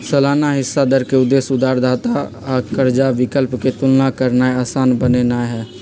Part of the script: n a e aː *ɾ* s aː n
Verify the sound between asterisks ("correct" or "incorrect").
incorrect